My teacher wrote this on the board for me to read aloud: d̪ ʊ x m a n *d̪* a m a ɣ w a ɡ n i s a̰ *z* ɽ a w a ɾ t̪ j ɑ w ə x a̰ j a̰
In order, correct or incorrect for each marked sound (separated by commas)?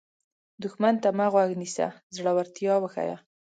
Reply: incorrect, correct